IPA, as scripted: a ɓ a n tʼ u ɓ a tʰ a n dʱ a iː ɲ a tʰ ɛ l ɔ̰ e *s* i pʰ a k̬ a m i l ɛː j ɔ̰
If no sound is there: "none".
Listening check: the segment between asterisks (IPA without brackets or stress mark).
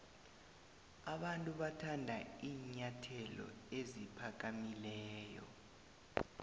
z